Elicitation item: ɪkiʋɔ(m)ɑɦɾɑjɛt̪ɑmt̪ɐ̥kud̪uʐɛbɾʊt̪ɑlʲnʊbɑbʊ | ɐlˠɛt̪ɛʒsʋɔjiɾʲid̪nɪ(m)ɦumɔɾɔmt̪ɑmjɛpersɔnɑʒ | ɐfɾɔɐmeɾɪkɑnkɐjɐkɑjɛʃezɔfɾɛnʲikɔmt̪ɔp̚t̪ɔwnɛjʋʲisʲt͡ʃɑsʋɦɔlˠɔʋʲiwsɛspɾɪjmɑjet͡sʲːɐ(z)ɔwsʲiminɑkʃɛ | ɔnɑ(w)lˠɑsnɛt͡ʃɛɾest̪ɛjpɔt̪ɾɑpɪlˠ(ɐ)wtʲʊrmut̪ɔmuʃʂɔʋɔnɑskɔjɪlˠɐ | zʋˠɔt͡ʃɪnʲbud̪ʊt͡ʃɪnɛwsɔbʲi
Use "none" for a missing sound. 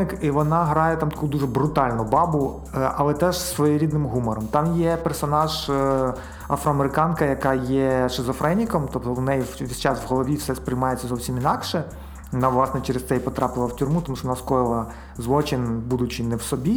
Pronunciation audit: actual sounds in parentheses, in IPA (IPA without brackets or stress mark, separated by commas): n, m, z, ʋ, ɐ